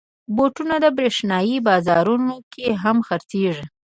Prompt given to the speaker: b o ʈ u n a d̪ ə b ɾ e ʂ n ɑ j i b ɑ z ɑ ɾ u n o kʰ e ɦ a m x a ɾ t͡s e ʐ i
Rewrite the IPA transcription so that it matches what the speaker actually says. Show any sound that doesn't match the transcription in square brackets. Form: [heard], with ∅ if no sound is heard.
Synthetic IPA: b o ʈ u n a d̪ ə b ɾ e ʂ n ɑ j i b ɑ z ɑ ɾ u n o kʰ e ɦ a m x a ɾ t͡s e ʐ i

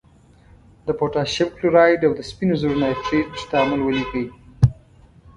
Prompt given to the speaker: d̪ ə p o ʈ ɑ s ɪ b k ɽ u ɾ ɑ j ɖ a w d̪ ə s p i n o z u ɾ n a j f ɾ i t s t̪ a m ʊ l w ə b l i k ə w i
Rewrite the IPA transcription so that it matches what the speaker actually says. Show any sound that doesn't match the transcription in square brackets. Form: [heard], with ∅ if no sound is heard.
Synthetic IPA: d̪ ə p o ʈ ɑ [ʃ] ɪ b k [l] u ɾ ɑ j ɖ a w d̪ ə s p i n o z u ɾ n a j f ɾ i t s t̪ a m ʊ l w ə [∅] l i k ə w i

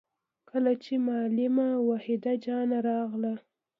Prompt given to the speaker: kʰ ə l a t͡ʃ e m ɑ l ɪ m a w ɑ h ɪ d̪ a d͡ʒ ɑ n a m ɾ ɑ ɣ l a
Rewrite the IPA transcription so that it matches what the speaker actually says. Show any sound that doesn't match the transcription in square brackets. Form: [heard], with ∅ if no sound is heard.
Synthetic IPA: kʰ ə l a t͡ʃ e m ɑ l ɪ m a w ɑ h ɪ d̪ a d͡ʒ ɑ n a [∅] ɾ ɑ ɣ l a

